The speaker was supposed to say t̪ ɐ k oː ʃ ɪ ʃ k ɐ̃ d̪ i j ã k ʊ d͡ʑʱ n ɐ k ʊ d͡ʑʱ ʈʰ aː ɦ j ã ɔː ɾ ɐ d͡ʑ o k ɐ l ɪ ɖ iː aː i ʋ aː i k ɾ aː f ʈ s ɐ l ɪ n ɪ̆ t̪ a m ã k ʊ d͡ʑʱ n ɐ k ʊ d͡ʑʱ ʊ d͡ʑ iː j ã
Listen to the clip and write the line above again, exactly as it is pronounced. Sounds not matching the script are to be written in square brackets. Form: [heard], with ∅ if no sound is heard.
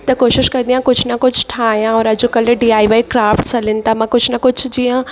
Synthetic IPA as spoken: t̪ ɐ k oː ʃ ɪ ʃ k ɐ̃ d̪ i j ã k ʊ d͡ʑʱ n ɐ k ʊ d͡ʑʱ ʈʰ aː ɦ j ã ɔː ɾ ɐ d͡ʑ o k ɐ l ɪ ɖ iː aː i ʋ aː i k ɾ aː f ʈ s ɐ l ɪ n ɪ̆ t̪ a m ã k ʊ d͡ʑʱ n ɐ k ʊ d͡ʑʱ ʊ d͡ʑ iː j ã